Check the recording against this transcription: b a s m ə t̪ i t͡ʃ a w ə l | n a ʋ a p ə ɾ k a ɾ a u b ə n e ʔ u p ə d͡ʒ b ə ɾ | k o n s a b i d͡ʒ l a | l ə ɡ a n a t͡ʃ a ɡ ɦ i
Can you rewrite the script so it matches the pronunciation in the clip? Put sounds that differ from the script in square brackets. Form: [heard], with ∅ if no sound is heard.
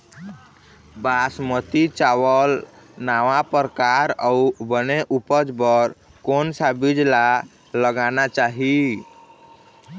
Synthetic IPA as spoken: b a s m ə t̪ i t͡ʃ a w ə l | n a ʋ a p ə ɾ k a ɾ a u b ə n e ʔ u p ə d͡ʒ b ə ɾ | k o n s a b i d͡ʒ l a | l ə ɡ a n a t͡ʃ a [∅] ɦ i

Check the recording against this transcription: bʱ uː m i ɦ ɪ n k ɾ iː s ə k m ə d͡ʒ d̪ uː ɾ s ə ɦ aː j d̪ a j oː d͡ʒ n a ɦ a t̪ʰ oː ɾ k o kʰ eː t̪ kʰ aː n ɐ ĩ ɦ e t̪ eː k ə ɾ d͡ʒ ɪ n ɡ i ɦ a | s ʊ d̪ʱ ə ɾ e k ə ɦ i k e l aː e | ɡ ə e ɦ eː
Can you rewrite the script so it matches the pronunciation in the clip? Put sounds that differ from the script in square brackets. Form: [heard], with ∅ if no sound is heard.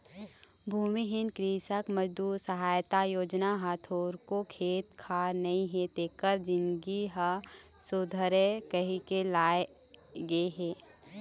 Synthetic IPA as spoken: bʱ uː m i ɦ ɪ n k ɾ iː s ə k m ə d͡ʒ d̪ uː ɾ s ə ɦ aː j [t̪] a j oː d͡ʒ n a ɦ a t̪ʰ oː ɾ k o kʰ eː t̪ kʰ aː n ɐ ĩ ɦ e t̪ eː k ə ɾ d͡ʒ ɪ n ɡ i ɦ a | s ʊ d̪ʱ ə ɾ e k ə ɦ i k e l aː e | ɡ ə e ɦ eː

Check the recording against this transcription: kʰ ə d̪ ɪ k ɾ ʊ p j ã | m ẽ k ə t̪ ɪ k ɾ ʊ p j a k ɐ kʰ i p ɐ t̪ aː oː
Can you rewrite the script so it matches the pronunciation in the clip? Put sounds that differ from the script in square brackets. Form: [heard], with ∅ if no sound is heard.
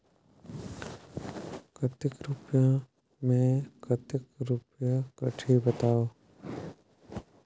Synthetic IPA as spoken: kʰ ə [t̪] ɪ k ɾ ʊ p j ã | m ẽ k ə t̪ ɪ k ɾ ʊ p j a k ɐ [ʈʰ] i [b] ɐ t̪ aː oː

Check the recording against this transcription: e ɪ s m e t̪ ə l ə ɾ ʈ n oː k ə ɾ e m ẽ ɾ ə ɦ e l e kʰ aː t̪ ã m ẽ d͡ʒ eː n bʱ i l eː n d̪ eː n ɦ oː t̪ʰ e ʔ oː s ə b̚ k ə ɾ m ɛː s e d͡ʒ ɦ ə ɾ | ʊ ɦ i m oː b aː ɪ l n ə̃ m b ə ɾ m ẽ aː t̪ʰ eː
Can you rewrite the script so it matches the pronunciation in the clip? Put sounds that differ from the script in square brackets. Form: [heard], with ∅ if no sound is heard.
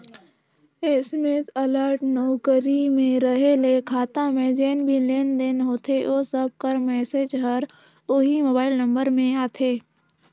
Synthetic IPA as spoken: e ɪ s m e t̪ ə l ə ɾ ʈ n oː k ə ɾ [i] m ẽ ɾ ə ɦ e l e kʰ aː t̪ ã m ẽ d͡ʒ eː n bʱ i l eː n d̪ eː n ɦ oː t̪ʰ e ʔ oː s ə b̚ k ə ɾ m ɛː s e d͡ʒ ɦ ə ɾ | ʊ ɦ i m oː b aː ɪ l n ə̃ m b ə ɾ m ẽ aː t̪ʰ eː

